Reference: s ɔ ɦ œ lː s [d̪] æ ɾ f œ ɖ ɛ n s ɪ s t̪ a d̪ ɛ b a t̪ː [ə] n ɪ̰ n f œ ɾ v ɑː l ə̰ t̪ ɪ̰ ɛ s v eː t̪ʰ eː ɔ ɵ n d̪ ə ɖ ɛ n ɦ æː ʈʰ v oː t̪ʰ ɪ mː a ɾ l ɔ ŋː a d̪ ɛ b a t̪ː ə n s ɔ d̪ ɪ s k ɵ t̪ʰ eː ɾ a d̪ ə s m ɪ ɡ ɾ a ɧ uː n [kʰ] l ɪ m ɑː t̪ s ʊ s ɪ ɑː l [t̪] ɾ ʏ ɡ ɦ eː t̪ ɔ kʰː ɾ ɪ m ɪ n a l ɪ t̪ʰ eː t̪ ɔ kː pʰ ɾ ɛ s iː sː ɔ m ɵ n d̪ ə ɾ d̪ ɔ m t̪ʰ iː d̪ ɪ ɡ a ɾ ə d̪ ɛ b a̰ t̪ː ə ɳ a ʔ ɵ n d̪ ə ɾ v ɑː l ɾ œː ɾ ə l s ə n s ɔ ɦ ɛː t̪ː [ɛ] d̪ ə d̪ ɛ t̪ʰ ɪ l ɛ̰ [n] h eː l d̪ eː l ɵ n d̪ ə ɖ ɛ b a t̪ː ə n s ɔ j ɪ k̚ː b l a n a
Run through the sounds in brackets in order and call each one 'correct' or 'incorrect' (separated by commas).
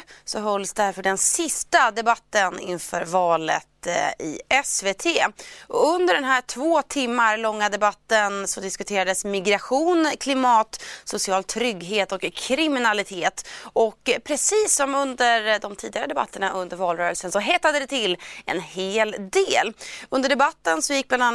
correct, correct, correct, incorrect, incorrect, correct